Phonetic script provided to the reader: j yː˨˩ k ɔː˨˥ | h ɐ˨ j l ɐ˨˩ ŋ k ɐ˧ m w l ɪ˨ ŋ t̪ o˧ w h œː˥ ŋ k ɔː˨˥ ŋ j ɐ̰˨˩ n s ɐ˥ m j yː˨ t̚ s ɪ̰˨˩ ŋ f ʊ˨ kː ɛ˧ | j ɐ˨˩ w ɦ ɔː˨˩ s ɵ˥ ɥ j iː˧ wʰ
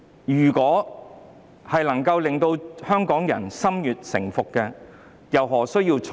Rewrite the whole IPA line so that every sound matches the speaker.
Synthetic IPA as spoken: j yː˨˩ k ɔː˨˥ | h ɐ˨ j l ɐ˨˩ ŋ k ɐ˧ w l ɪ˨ ŋ t̪ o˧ w h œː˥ ŋ k ɔː˨˥ ŋ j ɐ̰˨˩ n s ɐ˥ m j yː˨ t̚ s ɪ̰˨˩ ŋ f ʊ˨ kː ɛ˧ | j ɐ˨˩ w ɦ ɔː˨˩ s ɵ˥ ɥ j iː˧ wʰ

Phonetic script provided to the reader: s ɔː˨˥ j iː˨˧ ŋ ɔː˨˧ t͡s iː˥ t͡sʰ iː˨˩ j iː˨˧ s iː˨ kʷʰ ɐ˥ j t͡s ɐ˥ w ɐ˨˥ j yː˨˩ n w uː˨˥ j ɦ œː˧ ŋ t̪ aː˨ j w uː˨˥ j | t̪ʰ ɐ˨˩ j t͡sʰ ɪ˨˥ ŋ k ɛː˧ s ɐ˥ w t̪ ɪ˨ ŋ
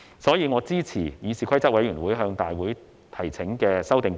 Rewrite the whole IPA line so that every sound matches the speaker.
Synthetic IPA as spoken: s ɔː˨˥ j iː˨˧ ŋ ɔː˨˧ t͡s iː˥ t͡sʰ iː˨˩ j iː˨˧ s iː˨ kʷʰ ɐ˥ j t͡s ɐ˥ w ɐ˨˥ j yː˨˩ n w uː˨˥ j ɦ œː˧ ŋ t̪ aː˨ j w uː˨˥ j | t̪ʰ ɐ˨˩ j t͡sʰ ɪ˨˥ ŋ k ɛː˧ s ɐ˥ w t̪ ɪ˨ ŋ

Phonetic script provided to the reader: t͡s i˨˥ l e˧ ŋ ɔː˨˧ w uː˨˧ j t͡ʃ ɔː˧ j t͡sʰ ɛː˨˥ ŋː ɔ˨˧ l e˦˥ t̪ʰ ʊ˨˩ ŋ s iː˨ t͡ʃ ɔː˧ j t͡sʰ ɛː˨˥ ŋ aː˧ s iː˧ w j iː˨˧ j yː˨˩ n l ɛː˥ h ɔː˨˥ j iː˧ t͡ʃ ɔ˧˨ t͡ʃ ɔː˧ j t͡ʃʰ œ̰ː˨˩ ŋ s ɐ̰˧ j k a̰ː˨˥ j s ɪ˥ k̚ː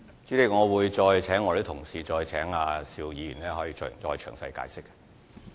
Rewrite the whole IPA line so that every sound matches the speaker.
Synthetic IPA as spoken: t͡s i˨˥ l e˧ ŋ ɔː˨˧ w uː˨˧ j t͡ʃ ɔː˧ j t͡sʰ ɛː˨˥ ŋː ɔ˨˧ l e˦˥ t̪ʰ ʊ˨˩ ŋ s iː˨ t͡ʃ ɔː˧ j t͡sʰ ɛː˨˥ ŋ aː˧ s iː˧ w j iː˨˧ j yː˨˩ n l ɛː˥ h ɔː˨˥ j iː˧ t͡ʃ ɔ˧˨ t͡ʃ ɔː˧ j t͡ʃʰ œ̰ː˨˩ ŋ s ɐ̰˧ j k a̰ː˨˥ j s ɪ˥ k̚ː

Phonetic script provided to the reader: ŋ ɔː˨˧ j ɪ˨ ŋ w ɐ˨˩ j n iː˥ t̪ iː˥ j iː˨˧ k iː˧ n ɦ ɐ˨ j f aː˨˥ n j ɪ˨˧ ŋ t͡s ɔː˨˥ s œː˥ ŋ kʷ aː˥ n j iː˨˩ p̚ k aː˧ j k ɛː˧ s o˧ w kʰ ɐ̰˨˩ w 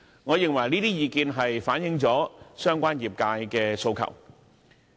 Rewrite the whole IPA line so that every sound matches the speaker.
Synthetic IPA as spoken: ŋ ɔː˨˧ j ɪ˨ ŋ w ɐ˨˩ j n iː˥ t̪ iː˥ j iː˨˧ k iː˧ n ɦ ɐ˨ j f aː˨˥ n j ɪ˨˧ ŋ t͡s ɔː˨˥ s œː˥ ŋ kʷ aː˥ n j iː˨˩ p̚ k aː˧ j k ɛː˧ s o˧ w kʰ ɐ̰˨˩ w

